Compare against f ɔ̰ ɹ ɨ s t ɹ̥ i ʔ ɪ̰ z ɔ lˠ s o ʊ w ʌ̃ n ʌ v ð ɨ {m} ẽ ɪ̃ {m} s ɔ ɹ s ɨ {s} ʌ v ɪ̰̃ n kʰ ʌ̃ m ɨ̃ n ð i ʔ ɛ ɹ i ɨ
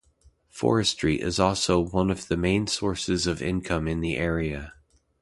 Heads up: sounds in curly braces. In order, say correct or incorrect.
correct, incorrect: n, incorrect: z

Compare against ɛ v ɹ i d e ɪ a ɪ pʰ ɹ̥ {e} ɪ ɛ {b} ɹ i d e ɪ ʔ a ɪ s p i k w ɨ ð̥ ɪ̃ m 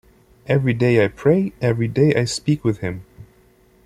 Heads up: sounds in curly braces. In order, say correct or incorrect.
correct, incorrect: v

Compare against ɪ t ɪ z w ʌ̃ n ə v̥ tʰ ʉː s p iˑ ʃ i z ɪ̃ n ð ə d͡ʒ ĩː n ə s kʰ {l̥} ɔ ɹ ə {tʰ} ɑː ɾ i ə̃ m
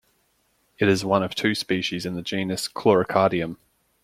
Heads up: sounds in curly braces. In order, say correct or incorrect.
correct, incorrect: kʰ

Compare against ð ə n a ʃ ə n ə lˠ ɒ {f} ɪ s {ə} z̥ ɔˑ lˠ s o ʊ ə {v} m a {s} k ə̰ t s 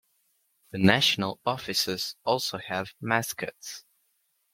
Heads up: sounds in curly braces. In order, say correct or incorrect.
correct, correct, correct, correct

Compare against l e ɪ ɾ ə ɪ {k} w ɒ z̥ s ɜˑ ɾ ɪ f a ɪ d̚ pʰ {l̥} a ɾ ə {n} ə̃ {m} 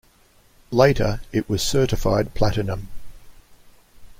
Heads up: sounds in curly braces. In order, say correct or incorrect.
incorrect: ʔ, correct, correct, correct

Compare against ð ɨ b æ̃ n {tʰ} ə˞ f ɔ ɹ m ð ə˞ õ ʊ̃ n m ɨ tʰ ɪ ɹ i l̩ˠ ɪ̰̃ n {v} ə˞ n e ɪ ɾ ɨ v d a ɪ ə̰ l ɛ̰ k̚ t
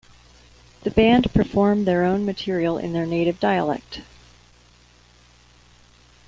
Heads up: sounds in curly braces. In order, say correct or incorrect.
incorrect: pʰ, incorrect: ð

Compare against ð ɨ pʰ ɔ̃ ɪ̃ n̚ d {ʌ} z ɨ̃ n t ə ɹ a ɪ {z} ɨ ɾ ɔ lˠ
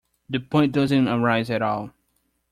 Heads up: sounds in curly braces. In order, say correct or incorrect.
correct, correct

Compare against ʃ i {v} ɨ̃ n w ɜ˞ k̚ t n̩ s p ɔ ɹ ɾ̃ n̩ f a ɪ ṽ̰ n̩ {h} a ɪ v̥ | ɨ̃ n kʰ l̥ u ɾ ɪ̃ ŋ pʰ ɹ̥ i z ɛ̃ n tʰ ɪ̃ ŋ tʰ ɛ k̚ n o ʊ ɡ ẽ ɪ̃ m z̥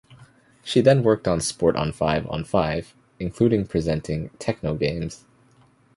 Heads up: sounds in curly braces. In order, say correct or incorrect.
incorrect: ð, incorrect: f

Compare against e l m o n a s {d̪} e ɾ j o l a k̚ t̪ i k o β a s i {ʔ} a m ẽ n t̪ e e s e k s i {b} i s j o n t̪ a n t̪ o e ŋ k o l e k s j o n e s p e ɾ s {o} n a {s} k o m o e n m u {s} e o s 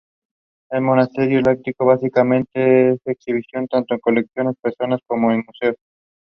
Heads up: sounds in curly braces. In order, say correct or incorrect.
incorrect: t̪, incorrect: k, incorrect: β, correct, correct, correct

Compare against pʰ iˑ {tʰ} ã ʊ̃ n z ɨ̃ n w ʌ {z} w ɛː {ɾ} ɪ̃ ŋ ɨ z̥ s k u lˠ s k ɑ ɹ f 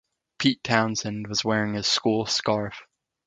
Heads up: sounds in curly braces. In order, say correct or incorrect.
correct, correct, incorrect: ɹ

